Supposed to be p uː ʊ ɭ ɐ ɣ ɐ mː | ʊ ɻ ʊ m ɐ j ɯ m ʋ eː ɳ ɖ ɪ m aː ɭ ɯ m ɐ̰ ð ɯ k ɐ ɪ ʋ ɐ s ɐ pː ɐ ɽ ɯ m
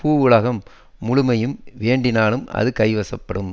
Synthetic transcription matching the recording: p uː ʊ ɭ ɐ ɣ ɐ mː | ʊ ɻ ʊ m ɐ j ɯ m ʋ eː ɳ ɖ ɪ n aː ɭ ɯ m ɐ̰ ð ɯ k ɐ ɪ ʋ ɐ s ɐ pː ɐ ɽ ɯ m